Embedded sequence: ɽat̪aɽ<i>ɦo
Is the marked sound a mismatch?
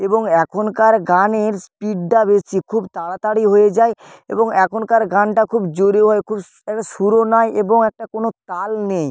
no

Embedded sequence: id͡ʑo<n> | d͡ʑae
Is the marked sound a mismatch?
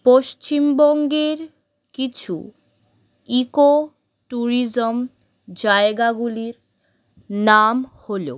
yes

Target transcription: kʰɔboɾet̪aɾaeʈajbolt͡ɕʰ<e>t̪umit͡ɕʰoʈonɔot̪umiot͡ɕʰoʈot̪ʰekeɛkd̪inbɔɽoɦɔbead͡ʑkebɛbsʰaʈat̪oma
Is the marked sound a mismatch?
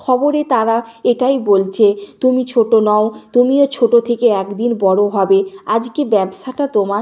no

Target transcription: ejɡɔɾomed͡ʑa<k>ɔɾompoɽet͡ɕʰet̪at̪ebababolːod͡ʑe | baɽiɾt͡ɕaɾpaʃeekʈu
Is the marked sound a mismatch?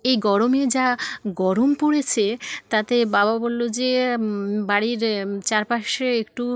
yes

